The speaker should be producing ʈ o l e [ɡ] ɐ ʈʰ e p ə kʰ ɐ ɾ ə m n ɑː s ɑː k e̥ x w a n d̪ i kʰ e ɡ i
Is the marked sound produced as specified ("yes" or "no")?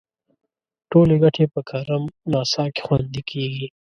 yes